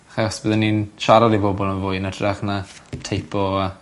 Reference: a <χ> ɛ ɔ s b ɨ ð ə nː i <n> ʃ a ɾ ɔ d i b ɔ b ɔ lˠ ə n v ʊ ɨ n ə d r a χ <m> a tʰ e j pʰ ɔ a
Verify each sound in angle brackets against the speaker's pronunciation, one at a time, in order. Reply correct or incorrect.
correct, correct, incorrect: n

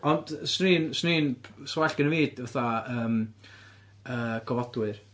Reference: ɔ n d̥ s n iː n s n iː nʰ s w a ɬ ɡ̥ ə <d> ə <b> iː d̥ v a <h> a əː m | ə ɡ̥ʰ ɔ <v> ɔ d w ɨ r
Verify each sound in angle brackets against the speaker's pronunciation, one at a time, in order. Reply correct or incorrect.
incorrect: n, incorrect: v, incorrect: θ, correct

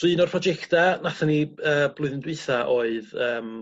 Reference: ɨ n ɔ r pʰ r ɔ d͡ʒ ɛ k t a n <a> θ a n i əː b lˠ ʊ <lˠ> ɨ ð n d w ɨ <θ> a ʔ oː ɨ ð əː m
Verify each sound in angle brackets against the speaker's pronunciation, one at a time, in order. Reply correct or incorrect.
correct, incorrect: none, correct

